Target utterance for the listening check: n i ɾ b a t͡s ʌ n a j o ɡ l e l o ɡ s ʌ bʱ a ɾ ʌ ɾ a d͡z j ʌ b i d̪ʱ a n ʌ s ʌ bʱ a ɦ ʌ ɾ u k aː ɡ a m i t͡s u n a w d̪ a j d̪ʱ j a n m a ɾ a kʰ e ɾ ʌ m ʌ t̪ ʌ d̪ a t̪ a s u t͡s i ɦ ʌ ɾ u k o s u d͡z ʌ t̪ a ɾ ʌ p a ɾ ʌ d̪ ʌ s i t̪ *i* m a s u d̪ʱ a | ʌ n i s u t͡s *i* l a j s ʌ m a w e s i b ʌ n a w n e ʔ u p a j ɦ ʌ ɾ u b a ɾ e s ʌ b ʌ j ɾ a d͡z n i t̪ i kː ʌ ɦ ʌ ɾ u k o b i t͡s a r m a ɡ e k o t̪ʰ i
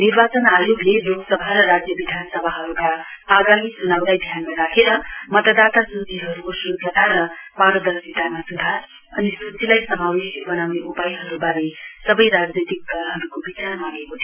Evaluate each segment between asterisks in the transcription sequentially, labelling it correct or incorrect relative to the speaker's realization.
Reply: incorrect: a, correct

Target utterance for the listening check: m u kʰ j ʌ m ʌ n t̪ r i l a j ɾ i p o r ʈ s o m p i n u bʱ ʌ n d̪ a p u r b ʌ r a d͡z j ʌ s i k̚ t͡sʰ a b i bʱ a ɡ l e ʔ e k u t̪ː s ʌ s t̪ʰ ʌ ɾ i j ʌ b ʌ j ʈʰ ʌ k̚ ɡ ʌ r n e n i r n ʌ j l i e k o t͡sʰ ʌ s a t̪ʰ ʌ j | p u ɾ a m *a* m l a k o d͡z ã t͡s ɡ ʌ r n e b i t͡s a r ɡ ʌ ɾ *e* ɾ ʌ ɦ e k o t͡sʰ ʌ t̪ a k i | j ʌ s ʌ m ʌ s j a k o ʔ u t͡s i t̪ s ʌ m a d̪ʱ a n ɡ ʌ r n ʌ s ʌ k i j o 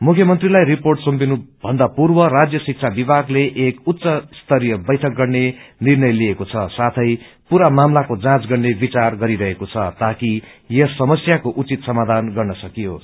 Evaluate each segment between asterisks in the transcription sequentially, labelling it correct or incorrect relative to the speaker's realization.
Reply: correct, incorrect: i

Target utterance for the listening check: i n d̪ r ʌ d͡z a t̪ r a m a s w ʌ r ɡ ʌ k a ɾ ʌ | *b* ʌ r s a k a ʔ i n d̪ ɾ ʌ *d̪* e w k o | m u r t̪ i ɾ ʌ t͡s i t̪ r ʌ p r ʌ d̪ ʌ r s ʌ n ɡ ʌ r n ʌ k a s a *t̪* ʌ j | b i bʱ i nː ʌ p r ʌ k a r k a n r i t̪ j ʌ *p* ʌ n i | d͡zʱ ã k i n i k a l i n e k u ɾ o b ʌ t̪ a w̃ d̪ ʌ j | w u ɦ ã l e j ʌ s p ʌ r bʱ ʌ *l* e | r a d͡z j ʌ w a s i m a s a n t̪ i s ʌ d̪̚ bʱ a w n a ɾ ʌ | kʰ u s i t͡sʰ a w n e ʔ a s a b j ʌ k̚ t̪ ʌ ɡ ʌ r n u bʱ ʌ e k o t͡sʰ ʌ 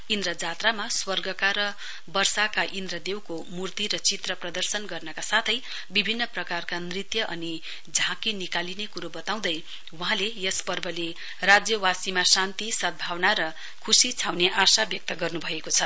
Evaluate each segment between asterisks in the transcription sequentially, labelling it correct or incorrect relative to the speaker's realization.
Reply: correct, correct, incorrect: t̪ʰ, incorrect: ʔ, correct

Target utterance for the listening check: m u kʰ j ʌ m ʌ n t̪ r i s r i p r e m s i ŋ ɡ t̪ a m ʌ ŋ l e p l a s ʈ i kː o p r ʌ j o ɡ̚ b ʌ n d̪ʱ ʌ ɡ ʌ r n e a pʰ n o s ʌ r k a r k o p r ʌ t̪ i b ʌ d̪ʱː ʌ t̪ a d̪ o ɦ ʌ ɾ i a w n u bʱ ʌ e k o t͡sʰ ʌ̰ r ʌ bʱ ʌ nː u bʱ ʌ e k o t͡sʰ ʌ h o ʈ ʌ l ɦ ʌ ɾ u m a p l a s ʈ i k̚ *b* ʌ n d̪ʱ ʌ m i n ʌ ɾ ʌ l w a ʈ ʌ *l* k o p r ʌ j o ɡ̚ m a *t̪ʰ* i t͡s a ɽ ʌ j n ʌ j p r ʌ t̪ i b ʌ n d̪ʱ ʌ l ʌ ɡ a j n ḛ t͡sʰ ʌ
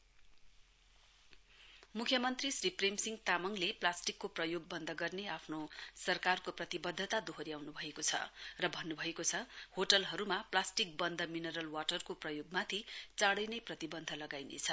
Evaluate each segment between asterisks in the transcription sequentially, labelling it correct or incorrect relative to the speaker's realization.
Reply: correct, incorrect: r, correct

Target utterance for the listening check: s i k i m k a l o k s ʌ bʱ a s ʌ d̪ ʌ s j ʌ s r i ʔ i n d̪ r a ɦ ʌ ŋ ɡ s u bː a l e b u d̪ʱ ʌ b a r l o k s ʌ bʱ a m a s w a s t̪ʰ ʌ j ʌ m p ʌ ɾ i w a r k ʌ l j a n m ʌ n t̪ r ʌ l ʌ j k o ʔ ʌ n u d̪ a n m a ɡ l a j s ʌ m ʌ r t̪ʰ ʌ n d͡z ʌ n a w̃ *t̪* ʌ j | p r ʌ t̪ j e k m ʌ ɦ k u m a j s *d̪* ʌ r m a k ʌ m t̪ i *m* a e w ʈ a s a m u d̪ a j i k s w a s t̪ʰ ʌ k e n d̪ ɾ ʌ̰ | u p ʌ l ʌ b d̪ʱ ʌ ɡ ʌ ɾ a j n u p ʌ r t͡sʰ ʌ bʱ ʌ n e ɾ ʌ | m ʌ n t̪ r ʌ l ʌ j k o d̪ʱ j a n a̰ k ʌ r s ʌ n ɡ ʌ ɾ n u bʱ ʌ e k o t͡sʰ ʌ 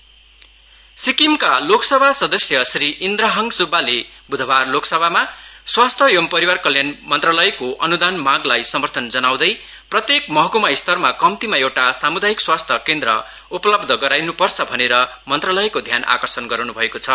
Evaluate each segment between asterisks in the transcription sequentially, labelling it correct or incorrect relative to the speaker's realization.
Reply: incorrect: d̪, incorrect: t̪, correct

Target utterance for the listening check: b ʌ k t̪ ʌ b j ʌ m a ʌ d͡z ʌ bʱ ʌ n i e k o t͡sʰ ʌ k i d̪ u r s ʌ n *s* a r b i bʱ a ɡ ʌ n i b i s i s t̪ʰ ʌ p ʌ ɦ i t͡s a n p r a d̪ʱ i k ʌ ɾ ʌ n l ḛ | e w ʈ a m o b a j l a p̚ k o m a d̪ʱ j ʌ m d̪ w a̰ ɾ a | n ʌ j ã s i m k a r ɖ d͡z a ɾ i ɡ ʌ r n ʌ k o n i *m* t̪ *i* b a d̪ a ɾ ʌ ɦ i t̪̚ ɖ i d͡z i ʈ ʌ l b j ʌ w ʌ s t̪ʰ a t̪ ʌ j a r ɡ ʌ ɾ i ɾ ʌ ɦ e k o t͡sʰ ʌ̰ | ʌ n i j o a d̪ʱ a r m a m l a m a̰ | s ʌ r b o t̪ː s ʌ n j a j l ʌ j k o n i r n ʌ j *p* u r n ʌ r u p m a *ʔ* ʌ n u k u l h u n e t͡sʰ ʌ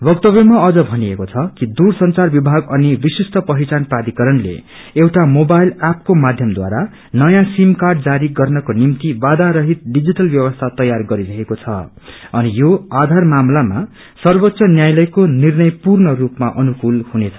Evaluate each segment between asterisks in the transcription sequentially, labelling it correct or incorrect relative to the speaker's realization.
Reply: incorrect: t͡s, correct, correct, correct, correct

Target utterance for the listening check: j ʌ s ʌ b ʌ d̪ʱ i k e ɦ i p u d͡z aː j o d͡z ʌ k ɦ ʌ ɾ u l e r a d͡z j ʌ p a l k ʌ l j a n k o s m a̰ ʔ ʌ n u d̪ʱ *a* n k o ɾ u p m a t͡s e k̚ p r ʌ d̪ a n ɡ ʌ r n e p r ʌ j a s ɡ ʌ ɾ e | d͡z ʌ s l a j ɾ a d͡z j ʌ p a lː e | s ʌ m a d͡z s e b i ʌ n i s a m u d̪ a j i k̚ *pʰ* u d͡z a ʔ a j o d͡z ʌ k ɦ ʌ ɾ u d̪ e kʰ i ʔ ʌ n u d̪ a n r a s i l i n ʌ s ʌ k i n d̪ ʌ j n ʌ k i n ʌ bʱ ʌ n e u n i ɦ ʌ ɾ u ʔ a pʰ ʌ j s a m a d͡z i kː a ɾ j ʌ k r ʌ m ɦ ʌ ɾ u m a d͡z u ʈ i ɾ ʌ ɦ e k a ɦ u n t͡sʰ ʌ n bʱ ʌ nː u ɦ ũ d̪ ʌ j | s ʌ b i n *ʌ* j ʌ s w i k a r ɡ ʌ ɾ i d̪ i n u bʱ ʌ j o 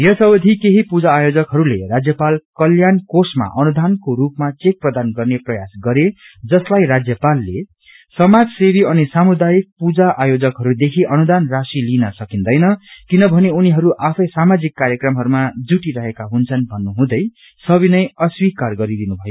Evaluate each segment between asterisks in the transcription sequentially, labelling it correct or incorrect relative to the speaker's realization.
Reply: correct, incorrect: p, correct

